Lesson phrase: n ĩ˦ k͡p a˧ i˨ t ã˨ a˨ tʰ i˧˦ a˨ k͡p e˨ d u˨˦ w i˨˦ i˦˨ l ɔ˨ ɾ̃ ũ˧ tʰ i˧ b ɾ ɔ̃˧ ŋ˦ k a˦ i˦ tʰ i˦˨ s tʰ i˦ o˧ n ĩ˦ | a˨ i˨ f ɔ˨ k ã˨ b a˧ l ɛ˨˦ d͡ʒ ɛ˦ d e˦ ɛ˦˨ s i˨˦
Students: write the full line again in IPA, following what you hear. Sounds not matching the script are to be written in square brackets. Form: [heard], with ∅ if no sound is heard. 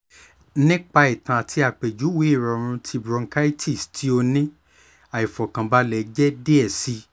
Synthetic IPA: n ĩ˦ k͡p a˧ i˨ t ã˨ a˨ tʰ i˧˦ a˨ k͡p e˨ [d͡ʒ] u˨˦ w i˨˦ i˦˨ [ɾ] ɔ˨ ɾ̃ ũ˧ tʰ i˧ b ɾ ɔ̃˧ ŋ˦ k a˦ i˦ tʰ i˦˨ s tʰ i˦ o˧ n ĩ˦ | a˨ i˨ f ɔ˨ k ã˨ b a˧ l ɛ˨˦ d͡ʒ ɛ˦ d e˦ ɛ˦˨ s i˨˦